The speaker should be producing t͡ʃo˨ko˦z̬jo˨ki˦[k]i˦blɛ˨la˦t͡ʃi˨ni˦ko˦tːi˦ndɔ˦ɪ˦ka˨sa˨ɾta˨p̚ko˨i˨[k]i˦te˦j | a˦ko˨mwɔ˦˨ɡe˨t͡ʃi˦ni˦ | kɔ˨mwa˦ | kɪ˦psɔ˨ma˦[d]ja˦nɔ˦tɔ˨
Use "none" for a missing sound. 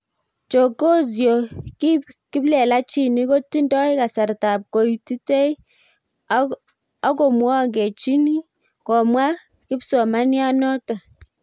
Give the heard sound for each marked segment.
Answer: k, t, n

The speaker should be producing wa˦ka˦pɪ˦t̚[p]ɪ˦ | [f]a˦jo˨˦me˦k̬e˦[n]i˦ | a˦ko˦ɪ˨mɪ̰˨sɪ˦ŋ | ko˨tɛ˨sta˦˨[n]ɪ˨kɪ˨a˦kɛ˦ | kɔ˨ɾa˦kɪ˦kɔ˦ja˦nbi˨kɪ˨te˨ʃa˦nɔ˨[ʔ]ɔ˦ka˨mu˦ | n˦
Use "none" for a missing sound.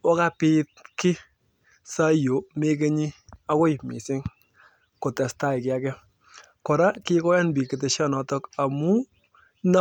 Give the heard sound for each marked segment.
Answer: k, s, ɲ, none, t

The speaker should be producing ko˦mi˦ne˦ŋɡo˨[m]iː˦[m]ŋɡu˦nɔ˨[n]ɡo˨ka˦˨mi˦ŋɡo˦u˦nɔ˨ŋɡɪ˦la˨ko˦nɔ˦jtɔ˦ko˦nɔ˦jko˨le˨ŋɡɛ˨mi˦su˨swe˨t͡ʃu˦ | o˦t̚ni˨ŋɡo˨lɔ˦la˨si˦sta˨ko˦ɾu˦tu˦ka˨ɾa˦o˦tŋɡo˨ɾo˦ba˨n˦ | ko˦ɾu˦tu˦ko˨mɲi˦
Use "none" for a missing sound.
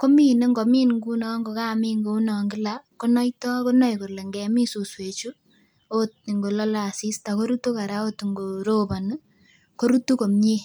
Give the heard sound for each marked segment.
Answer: m, n, ŋ

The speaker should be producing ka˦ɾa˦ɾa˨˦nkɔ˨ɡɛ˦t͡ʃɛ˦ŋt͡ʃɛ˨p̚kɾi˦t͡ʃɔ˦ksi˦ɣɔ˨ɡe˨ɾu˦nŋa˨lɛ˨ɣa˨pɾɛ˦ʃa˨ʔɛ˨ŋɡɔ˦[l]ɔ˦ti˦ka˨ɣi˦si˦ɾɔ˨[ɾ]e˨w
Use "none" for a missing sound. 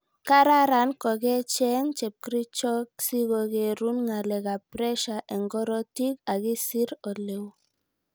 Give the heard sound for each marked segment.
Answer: ɾ, l

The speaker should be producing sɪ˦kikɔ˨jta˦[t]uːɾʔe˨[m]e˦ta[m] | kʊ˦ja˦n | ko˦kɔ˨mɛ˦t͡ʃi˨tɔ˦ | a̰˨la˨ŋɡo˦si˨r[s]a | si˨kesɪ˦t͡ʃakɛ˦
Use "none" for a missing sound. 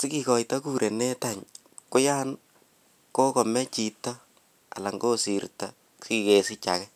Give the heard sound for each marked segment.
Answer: k, n, ɲ, t

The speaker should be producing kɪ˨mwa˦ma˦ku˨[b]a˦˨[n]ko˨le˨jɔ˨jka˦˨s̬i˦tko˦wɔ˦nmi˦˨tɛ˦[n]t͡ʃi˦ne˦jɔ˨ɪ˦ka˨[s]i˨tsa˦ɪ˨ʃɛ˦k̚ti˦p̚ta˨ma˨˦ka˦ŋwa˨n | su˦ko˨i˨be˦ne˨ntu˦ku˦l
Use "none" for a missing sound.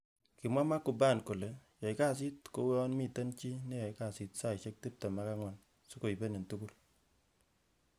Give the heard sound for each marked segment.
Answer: b, n, n, s

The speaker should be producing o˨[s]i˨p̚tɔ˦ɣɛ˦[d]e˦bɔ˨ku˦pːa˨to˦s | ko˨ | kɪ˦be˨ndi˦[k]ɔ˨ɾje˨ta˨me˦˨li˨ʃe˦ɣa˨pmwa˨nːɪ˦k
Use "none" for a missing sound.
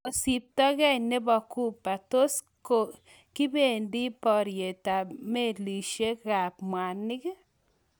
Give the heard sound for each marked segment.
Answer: s, n, p

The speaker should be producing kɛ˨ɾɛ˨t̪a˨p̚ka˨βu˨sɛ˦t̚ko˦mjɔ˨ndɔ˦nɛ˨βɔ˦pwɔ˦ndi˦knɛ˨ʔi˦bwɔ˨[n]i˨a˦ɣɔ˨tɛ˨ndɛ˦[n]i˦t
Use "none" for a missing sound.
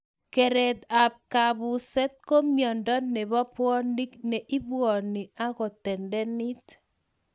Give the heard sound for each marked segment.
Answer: n, n

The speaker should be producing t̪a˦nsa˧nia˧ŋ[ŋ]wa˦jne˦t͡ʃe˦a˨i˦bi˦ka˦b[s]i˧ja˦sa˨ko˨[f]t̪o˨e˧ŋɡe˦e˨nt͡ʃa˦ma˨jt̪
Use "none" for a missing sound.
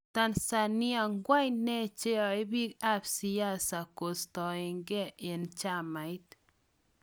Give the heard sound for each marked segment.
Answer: ɡ, s, s

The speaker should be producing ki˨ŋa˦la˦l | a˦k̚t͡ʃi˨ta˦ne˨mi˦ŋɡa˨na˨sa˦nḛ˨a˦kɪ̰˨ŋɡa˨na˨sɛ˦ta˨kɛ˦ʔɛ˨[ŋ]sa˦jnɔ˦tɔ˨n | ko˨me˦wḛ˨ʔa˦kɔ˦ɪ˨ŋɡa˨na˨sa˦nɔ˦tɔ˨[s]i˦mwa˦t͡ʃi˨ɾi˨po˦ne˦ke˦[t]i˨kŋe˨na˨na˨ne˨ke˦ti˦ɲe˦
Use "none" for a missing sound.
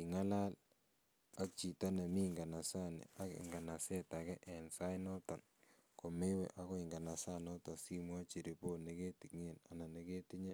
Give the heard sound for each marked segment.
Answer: n, s, t

